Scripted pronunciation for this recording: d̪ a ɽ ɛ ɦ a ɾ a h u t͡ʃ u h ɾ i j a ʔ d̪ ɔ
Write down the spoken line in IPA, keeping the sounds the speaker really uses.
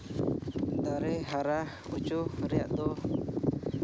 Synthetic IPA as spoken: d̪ a ɾ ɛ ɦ a ɾ a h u t͡ʃ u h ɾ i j a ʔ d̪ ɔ